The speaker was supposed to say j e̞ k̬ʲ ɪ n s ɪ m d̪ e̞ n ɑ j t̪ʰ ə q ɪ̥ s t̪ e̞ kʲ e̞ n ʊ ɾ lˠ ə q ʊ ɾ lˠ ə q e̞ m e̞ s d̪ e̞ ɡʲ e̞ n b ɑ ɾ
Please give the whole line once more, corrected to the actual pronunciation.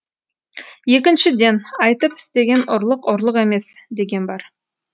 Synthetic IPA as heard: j e̞ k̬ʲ ɪ n ʃ ɪ d̪ e̞ n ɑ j t̪ ə p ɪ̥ s t̪ e̞ ɡʲ e̞ n ʊ ɾ lˠ ə q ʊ ɾ lˠ ə q e̞ m e̞ s d̪ e̞ ɡʲ e̞ n b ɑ ɾ